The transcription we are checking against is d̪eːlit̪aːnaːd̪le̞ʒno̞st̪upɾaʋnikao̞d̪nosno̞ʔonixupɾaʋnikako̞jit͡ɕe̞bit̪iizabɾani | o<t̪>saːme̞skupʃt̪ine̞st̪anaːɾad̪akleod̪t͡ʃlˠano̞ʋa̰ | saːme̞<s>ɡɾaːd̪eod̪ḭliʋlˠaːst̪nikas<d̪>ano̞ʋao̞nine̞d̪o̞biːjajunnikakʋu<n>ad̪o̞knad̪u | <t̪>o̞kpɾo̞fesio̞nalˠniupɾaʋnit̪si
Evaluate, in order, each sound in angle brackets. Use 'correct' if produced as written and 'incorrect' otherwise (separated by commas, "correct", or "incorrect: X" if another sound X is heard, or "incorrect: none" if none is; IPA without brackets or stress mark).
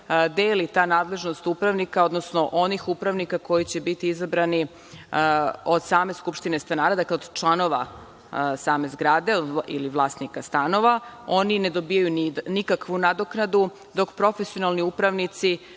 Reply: incorrect: d̪, incorrect: z, incorrect: t̪, correct, incorrect: d̪